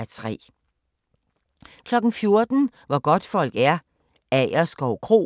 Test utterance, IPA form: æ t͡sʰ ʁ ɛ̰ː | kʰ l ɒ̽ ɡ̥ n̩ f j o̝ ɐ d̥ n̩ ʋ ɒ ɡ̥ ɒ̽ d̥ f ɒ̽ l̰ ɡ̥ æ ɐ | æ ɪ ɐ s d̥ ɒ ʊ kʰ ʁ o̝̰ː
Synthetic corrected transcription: æ t͡sʰ ʁ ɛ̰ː | kʰ l ɒ̽ ɡ̥ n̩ f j o̝ ɐ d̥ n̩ ʋ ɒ ɡ̥ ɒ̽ d̥ f ɒ̽ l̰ ɡ̥ æ ɐ | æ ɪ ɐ s ɡ̥ ɒ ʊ kʰ ʁ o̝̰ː

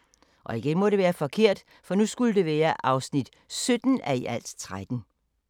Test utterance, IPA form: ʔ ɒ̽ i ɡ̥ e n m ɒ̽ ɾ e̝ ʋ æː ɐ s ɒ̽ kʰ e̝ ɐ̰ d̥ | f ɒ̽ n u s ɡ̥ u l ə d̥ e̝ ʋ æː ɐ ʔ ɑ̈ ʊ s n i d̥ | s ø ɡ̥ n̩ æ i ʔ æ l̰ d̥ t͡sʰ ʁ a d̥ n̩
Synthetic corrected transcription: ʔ ɒ̽ i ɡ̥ e n m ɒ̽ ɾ e̝ ʋ æː ɐ f ɒ̽ kʰ e̝ ɐ̰ d̥ | f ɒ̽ n u s ɡ̥ u l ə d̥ e̝ ʋ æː ɐ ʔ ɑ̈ ʊ s n i d̥ | s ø d̥ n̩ æ i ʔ æ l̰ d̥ t͡sʰ ʁ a d̥ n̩

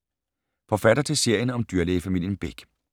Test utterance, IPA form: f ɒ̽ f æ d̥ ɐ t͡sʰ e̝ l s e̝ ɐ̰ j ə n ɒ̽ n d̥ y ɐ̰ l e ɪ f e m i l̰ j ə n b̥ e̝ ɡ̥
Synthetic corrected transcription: f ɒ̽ f æ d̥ ɐ t͡sʰ e̝ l s e̝ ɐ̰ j ə n ɒ̽ m d̥ y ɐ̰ l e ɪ f æ m i l̰ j ə n b̥ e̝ ɡ̥

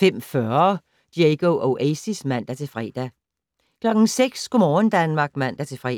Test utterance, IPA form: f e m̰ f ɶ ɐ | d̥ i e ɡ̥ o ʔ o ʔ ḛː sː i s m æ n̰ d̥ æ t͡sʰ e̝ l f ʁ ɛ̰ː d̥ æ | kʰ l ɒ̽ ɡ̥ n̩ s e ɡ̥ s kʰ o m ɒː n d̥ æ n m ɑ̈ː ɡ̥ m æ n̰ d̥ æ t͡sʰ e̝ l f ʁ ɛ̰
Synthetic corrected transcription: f e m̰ f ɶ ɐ | d̥ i e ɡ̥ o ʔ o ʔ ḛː s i s m æ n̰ d̥ æ t͡sʰ e̝ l f ʁ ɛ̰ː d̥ æ | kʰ l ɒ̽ ɡ̥ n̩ s e ɡ̥ s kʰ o m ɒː n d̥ æ n m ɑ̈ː ɡ̥ m æ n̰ d̥ æ t͡sʰ e̝ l f ʁ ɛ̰

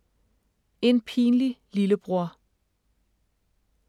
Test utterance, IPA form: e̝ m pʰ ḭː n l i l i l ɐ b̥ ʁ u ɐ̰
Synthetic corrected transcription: e̝ n pʰ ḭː n l i l i l ə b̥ ʁ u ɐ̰

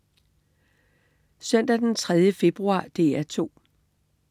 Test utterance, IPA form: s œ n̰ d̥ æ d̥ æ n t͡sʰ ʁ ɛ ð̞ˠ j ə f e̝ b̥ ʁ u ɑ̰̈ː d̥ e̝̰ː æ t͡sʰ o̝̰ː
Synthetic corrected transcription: s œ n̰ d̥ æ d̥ e n t͡sʰ ʁ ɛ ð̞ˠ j ə f e̝ b̥ ʁ u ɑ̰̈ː d̥ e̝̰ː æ t͡sʰ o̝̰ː

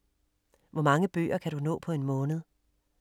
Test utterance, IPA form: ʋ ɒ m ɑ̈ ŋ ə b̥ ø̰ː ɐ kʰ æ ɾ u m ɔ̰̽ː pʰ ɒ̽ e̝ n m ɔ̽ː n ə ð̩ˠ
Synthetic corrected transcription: ʋ ɒ m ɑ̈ ŋ ə b̥ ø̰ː ɐ kʰ æ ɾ u n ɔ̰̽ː pʰ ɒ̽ e̝ n m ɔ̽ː n ə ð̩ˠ

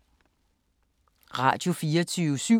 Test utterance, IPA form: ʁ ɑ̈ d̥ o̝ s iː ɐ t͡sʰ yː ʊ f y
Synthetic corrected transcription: ʁ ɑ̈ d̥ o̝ f iː ɐ t͡sʰ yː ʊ s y

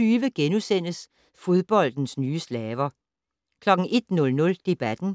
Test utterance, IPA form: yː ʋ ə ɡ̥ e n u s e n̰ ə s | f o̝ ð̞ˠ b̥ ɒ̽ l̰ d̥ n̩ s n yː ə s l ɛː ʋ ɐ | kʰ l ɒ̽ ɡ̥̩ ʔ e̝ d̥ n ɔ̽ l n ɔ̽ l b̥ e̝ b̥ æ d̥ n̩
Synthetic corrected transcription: yː ʋ ə ɡ̥ e n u s e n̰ ə s | f o̝ ð̞ˠ b̥ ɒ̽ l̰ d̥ n̩ s n yː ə s l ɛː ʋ ɐ | kʰ l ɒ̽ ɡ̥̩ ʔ e̝ d̥ n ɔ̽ l n ɔ̽ l d̥ e̝ b̥ æ d̥ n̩

